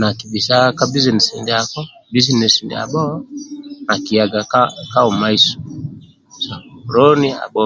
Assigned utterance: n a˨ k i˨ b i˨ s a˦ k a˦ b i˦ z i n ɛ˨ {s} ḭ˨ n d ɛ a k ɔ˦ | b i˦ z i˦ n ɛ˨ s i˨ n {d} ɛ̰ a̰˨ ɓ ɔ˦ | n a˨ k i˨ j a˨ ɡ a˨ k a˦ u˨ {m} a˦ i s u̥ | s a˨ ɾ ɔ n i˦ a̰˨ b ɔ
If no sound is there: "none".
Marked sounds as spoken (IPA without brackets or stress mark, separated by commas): s, d, m